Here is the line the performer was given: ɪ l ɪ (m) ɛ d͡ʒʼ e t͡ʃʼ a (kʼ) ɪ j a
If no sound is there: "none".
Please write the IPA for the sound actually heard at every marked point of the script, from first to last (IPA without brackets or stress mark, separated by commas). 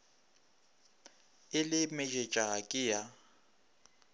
m, kʼ